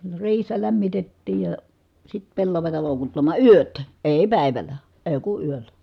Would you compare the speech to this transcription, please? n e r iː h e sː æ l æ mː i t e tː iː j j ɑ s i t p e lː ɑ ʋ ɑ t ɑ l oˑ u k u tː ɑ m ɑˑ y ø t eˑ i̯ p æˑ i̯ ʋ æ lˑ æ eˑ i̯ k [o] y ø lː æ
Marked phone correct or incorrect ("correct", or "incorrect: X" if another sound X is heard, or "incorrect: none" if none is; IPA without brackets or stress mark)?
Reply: incorrect: u